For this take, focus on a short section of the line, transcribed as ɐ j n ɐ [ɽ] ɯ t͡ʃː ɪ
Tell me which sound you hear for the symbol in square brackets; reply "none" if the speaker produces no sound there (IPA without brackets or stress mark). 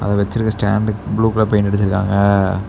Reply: ɽ